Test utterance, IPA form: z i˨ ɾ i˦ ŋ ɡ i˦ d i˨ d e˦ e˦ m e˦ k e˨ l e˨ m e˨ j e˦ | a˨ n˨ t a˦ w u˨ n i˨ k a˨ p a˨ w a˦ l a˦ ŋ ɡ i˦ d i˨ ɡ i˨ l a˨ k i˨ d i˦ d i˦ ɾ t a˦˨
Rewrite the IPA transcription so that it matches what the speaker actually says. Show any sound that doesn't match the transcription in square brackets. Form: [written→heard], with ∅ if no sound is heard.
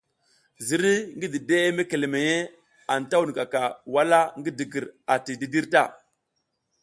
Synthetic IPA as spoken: z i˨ ɾ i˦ ŋ ɡ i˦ d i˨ d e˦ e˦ m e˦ k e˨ l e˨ m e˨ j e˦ | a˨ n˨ t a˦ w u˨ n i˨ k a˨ [p→k] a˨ w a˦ l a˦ ŋ ɡ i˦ d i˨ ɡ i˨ [l→ɾ] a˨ [k→t] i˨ d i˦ d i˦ ɾ t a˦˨